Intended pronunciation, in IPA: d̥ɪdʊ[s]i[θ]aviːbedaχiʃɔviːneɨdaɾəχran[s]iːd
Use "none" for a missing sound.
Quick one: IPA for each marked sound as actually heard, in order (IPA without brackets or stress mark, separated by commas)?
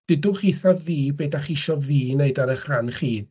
χ, θ, χ